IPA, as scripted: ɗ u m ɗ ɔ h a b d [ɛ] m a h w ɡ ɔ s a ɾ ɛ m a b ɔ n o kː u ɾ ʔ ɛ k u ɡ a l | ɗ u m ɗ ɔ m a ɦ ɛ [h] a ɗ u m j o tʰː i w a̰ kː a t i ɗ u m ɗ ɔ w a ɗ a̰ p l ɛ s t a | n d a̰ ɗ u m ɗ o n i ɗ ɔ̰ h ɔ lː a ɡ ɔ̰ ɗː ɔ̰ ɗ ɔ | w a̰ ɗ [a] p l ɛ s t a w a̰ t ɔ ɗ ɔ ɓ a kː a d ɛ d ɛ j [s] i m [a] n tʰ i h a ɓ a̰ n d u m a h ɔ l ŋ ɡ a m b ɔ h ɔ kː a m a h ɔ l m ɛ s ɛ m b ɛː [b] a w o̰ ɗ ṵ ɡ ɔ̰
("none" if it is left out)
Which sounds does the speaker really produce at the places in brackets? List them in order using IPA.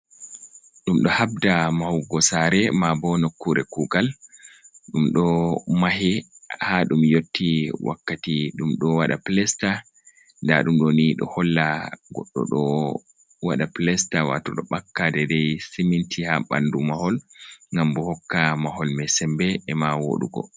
a, h, a, s, i, m

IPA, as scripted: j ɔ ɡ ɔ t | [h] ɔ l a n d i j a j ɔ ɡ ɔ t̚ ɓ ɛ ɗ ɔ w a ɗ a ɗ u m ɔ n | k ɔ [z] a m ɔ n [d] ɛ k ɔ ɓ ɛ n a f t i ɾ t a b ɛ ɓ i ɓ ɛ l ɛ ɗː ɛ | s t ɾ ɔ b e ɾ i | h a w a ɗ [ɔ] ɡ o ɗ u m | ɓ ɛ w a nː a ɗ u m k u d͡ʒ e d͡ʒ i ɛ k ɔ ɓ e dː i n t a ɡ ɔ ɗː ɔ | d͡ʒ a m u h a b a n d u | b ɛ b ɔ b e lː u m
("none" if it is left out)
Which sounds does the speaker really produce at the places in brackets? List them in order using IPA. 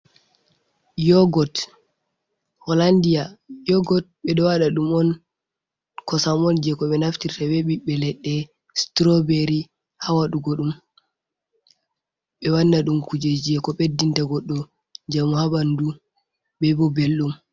h, s, d͡ʒ, u

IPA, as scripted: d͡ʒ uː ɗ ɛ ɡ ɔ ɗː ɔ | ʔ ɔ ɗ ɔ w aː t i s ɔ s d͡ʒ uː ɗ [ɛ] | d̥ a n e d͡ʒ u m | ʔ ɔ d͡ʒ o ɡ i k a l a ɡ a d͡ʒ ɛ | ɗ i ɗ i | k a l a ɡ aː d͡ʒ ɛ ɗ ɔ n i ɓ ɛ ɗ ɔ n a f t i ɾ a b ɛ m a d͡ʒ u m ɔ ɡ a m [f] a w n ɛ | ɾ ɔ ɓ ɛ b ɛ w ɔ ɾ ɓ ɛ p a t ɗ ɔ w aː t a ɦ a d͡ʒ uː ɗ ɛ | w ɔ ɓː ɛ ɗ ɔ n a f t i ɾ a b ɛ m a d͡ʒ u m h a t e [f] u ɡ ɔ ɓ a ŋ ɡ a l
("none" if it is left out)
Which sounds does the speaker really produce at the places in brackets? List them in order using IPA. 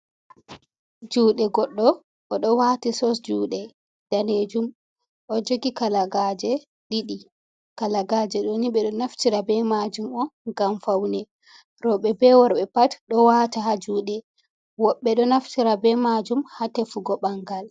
ɛ, f, f

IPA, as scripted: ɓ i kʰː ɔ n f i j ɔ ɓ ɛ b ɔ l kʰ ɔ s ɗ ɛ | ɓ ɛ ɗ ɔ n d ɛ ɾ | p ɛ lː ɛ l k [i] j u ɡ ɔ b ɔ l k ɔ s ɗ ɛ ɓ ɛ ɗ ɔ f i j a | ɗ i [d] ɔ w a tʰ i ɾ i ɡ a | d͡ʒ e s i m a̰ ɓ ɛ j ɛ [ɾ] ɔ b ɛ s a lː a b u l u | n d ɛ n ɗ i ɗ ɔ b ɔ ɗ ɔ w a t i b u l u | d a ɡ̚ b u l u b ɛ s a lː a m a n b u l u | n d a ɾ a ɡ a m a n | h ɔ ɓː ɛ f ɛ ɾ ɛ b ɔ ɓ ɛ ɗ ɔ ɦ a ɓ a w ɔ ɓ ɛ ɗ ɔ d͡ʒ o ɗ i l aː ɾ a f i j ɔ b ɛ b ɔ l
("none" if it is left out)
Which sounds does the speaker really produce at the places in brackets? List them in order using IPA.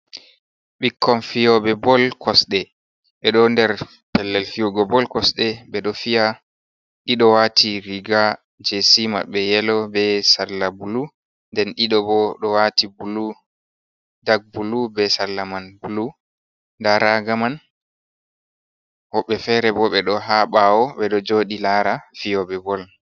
i, ɗ, l

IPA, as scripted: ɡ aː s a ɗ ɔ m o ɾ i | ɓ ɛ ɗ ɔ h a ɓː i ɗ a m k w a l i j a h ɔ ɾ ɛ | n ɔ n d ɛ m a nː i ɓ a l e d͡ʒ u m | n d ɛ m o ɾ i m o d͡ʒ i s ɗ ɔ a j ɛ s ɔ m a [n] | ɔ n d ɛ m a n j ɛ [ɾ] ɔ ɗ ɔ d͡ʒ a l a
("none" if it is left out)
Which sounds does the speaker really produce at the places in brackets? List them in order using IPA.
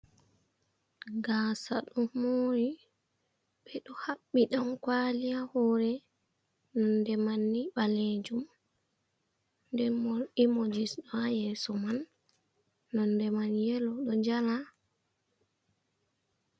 nː, l

